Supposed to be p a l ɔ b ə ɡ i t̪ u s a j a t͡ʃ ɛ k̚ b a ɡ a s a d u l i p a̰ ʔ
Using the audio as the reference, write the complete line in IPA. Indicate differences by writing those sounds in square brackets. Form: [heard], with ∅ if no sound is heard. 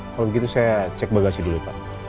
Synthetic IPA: [k] a l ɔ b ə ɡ i t̪ u s a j a t͡ʃ ɛ k̚ b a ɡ a s [i] d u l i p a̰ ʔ